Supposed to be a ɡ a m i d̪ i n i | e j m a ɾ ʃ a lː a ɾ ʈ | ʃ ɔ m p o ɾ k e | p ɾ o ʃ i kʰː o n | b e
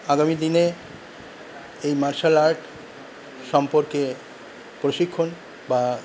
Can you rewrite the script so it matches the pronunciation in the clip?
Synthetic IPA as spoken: a ɡ a m i d̪ i n e | e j m a ɾ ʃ a l a ɾ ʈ | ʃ ɔ m p o ɾ k e | p ɾ o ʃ i kʰː o n | b a